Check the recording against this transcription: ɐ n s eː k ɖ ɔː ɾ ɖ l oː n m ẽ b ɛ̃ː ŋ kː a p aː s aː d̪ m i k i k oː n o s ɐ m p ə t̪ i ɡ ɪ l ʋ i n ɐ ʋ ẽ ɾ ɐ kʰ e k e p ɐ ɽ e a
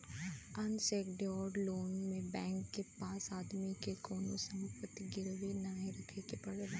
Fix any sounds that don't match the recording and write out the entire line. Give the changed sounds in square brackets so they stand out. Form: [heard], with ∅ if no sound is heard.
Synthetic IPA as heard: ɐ n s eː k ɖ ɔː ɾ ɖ l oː n m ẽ b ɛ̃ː ŋ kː [e] p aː s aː d̪ m i k [e] k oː n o s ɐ m p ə t̪ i ɡ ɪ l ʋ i n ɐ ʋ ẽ ɾ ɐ kʰ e k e p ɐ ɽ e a

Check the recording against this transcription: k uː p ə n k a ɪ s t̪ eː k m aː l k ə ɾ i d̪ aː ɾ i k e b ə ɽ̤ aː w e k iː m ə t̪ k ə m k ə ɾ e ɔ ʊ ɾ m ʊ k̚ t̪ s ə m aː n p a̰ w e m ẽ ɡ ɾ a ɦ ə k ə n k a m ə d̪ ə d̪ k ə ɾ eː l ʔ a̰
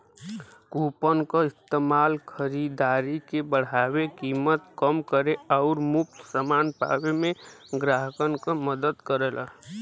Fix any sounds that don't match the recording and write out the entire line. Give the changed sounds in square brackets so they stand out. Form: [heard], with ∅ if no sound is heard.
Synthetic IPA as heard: k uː p ə n k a ɪ s t̪ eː [∅] m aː l [kʰ] ə ɾ i d̪ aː ɾ i k e b ə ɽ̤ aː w e k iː m ə t̪ k ə m k ə ɾ e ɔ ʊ ɾ m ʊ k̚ t̪ s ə m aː n p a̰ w e m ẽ ɡ ɾ a ɦ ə k ə n k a m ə d̪ ə d̪ k ə ɾ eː l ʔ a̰

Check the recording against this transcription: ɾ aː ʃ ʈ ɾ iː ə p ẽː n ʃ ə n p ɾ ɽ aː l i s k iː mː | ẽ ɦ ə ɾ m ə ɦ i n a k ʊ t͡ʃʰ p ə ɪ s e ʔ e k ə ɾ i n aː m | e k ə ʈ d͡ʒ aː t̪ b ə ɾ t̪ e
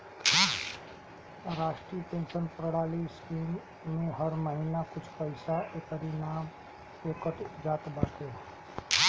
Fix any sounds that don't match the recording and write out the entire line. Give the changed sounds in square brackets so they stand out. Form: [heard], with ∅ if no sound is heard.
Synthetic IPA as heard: ɾ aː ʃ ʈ ɾ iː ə p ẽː n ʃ ə n p ɾ ɽ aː l i s k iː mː | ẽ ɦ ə ɾ m ə ɦ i n a k ʊ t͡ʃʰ p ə ɪ s [a] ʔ e k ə ɾ i n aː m | e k ə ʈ d͡ʒ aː t̪ b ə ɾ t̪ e

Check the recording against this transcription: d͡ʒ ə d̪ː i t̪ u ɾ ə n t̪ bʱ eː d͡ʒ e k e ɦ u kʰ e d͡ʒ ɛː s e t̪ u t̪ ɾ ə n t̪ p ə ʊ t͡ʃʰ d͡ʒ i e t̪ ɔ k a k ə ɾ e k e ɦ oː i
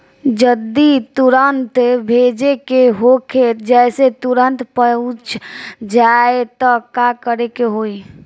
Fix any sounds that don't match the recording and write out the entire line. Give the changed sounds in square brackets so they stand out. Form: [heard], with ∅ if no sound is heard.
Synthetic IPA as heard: d͡ʒ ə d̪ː i t̪ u ɾ ə n t̪ bʱ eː d͡ʒ e k e ɦ [o] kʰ e d͡ʒ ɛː s e t̪ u [∅] ɾ ə n t̪ p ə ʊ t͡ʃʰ d͡ʒ [a] e t̪ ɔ k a k ə ɾ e k e ɦ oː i

